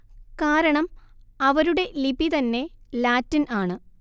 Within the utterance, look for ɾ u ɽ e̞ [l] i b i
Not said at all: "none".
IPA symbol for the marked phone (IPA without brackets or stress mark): l